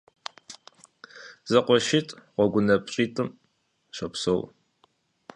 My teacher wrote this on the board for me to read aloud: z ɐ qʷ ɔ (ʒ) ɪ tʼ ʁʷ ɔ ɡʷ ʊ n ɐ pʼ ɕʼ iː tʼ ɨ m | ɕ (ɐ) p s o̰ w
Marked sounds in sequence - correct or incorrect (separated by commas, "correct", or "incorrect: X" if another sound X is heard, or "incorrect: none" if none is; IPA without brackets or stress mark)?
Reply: incorrect: ʃ, correct